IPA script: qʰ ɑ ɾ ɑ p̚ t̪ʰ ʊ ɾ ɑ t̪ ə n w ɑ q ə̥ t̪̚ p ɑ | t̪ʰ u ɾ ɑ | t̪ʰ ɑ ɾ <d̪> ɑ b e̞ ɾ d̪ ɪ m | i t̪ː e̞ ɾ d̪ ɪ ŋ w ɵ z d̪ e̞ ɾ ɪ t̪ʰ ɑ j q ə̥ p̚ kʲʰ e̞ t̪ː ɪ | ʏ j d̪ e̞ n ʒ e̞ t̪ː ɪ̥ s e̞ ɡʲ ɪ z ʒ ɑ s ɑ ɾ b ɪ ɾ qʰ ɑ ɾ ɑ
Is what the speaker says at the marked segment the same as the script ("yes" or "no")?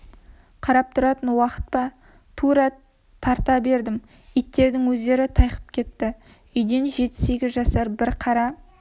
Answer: no